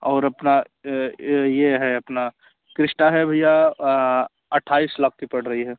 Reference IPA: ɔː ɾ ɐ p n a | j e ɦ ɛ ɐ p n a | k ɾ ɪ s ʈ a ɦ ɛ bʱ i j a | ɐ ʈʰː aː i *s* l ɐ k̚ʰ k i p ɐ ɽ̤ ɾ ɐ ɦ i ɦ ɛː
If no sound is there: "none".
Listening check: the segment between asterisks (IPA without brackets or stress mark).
s